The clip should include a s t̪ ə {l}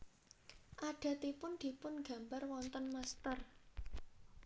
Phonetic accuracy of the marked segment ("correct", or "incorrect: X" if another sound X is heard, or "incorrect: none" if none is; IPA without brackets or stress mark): incorrect: r